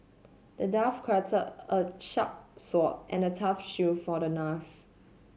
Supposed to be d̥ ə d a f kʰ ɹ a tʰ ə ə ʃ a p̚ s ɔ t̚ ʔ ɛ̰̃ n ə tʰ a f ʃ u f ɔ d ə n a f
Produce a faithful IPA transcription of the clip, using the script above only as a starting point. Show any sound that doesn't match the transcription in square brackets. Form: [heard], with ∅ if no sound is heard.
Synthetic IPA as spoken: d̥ ə d a f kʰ ɹ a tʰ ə ə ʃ a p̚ s ɔ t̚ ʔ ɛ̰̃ n ə tʰ a f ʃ u f ɔ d ə n a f